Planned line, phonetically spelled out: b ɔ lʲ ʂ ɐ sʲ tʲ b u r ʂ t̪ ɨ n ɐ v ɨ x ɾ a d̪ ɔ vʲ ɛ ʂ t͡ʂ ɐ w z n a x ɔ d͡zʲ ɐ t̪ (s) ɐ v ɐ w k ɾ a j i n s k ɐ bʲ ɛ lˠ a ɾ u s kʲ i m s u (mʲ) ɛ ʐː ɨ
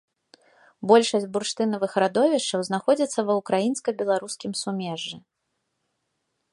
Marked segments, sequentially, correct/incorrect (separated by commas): incorrect, correct